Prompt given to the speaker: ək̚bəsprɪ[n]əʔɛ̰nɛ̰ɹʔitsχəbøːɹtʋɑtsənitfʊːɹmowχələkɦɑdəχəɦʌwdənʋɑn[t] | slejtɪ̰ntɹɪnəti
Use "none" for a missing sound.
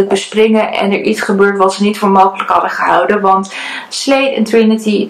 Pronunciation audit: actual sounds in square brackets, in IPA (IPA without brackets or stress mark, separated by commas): ŋ, t